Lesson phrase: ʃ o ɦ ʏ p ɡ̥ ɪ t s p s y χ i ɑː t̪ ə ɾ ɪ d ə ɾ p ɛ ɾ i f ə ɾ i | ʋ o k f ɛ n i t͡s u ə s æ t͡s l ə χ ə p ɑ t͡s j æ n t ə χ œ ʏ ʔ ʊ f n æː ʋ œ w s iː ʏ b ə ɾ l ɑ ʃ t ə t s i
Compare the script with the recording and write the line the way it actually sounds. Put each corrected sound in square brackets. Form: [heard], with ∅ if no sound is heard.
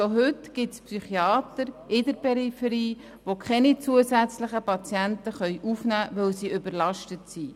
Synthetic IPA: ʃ o ɦ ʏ [t] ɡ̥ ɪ t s p s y χ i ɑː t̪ ə ɾ ɪ d ə ɾ p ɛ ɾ i f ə ɾ [iː] | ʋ o k [χ] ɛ n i t͡s u ə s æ t͡s l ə χ ə p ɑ t͡s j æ n t ə χ œ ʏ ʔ [u] f n æː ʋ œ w s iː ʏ b ə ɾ l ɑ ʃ t ə t s i

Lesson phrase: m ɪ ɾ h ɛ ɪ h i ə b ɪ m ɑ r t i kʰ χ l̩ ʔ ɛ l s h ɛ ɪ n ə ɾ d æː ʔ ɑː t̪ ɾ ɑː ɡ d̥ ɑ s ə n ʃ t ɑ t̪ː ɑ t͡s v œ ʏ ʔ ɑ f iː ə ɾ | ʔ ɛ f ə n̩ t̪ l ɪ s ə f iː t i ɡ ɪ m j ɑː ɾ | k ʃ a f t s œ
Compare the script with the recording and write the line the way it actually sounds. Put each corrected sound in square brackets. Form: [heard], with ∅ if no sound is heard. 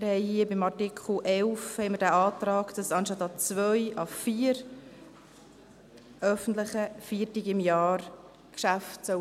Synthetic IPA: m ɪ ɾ h ɛ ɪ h i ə b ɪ m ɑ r t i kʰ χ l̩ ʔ ɛ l [f] h ɛ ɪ [m] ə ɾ d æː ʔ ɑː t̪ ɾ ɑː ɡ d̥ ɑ s [ɑ] n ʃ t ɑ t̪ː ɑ t͡s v œ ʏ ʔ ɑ f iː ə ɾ | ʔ [œ] f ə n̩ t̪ l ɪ [χ] ə f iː t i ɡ ɪ m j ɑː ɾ | k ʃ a f t s œ

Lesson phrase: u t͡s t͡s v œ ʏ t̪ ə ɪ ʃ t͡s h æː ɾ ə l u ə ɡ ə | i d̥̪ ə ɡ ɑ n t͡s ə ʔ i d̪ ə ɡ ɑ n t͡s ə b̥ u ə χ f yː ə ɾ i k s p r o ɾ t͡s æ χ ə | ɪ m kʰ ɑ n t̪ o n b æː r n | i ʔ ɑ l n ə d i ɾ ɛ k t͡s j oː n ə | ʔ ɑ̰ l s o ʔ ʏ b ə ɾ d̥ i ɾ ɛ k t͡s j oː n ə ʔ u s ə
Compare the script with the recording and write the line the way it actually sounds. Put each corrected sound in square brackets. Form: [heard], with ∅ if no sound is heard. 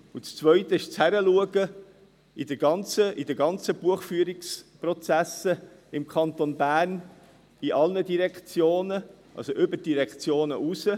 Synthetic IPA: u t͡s t͡s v œ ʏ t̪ ə ɪ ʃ t͡s h [æ] ɾ ə l u ə ɡ ə | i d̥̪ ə ɡ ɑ n t͡s ə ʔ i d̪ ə ɡ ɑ n t͡s ə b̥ u ə χ f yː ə ɾ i k s p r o [∅] t͡s æ [s] ə | ɪ m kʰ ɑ n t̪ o n b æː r n | i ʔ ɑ l n ə d i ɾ ɛ k t͡s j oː n ə | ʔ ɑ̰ l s o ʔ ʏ b ə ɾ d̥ i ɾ ɛ k t͡s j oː n ə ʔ u s ə

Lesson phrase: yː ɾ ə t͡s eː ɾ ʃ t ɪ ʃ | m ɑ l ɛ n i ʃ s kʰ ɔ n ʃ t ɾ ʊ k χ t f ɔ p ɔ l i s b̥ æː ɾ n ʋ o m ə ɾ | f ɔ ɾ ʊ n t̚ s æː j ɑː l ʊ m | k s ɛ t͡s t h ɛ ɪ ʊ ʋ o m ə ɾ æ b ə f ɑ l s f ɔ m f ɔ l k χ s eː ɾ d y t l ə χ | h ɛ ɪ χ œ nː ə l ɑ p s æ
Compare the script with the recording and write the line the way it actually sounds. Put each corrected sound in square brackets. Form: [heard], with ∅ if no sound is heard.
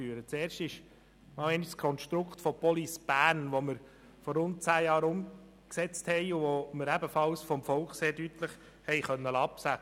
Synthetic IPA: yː ɾ ə t͡s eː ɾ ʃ t ɪ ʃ | m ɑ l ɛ n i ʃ s kʰ ɔ n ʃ t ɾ ʊ k χ t f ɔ p ɔ l i s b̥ æː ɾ n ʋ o m ə ɾ | f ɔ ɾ ʊ n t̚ [t͡s] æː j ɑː [ɾ] ʊ m | k s ɛ t͡s t h ɛ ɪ ʊ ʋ o m ə ɾ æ b ə f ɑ l s f ɔ m f ɔ l k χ s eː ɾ d y t l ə χ | h ɛ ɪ χ œ nː ə l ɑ p s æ

